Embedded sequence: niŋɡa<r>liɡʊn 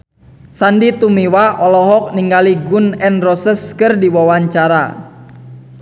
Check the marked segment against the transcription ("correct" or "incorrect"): incorrect